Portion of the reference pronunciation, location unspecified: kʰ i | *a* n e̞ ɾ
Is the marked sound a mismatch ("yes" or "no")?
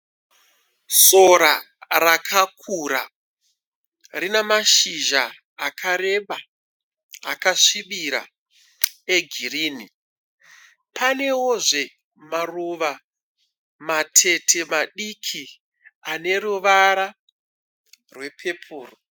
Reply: no